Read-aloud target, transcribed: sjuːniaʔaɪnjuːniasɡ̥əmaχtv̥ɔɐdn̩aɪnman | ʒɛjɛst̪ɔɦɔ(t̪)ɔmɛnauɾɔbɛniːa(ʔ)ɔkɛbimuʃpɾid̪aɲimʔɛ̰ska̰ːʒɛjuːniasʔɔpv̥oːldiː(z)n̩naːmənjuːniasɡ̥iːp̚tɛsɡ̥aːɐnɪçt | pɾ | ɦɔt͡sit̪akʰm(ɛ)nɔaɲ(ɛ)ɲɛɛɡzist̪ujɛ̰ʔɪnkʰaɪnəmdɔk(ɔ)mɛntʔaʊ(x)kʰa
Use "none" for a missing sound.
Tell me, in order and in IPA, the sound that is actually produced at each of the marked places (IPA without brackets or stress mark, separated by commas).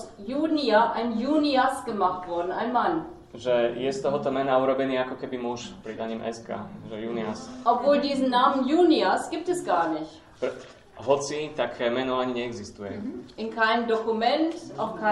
t̪, k, z, ɛ, i, u, x